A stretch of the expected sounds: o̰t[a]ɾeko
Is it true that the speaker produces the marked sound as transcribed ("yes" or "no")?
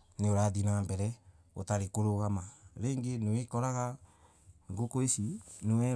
yes